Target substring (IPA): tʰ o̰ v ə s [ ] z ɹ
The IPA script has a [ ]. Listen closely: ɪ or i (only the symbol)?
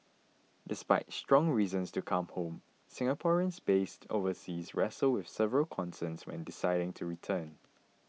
i